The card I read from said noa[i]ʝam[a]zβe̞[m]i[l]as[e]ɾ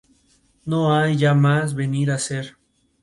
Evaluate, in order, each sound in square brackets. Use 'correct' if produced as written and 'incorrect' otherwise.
incorrect: j, correct, incorrect: n, incorrect: ɾ, correct

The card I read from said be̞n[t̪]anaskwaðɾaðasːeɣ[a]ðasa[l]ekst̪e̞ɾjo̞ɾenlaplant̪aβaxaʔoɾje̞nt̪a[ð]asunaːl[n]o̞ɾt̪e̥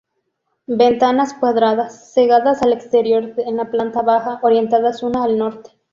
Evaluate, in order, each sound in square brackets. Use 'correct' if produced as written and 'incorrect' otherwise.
correct, correct, correct, correct, correct

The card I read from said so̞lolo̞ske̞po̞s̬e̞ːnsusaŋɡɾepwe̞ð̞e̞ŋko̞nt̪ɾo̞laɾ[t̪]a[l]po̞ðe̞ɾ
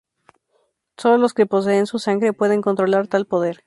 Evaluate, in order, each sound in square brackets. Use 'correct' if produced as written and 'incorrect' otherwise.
correct, correct

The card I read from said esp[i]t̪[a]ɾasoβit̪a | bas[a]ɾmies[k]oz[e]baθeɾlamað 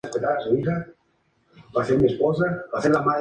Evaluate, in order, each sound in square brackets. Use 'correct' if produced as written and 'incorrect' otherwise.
incorrect: e, correct, incorrect: e, incorrect: p, incorrect: a

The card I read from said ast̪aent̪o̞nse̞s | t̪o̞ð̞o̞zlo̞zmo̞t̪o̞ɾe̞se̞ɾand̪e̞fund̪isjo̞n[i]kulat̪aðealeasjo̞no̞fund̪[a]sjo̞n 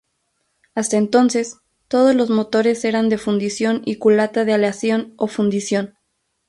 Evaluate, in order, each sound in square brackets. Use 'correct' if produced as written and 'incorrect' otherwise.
correct, incorrect: i

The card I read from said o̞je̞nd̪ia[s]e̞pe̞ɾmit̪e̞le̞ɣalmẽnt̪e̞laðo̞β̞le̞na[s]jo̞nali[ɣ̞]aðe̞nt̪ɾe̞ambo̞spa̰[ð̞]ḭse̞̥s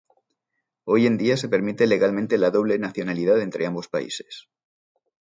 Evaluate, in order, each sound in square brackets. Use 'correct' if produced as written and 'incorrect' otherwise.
correct, incorrect: θ, incorrect: ð̞, incorrect: none

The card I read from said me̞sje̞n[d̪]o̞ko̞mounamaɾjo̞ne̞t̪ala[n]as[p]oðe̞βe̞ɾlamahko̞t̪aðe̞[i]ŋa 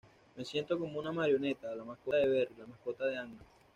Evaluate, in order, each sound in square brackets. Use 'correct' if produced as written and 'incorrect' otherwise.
incorrect: t̪, incorrect: m, incorrect: k, incorrect: a

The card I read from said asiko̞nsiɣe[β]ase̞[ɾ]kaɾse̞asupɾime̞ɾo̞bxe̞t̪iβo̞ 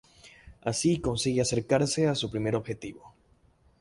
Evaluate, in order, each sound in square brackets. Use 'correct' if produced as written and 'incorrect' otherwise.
incorrect: none, correct

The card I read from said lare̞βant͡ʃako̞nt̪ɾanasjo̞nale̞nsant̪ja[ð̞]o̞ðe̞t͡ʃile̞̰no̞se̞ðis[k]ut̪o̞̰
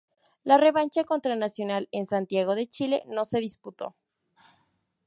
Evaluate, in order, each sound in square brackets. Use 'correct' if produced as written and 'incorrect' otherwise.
incorrect: ɣ̞, incorrect: p

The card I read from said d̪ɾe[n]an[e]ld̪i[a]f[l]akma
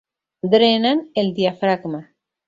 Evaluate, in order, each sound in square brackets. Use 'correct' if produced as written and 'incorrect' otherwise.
correct, correct, correct, incorrect: ɾ

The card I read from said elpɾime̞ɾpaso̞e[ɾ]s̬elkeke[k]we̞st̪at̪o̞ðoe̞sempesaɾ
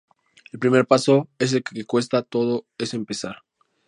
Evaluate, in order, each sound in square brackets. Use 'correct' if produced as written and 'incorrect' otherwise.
incorrect: none, correct

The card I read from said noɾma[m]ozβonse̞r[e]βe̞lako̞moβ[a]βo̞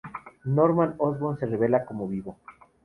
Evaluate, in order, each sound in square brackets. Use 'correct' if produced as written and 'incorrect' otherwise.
incorrect: n, correct, incorrect: i

